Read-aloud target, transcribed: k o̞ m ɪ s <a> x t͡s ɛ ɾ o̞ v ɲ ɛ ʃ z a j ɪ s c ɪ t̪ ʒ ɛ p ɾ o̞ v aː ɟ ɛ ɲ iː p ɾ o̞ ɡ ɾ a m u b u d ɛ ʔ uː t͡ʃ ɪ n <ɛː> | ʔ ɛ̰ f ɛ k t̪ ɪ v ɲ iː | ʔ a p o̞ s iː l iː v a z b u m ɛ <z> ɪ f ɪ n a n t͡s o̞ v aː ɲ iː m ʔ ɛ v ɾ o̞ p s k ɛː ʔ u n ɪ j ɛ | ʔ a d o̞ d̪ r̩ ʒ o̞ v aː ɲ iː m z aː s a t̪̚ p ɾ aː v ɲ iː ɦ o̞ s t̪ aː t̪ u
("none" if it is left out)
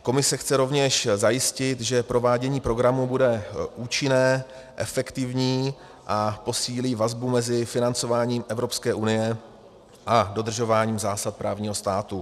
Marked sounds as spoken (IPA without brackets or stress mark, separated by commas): ɛ, ɛː, z